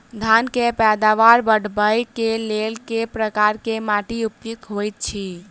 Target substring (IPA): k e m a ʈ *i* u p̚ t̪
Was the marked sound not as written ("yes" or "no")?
no